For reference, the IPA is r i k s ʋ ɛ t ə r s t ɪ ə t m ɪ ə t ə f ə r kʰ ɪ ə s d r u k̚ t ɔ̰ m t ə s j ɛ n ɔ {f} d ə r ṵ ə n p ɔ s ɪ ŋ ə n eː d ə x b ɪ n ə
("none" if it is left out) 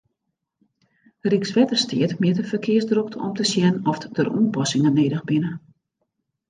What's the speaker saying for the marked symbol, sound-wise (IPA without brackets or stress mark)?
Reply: f